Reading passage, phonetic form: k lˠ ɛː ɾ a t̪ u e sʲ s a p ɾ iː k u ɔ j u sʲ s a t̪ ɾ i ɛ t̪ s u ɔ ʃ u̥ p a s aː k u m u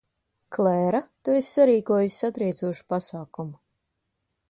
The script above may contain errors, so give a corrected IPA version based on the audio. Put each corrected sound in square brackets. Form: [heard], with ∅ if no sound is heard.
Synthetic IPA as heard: k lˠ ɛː ɾ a t̪ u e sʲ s a [∅] ɾ iː k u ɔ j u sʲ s a t̪ ɾ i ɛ t̪ s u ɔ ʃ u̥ p a s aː k u m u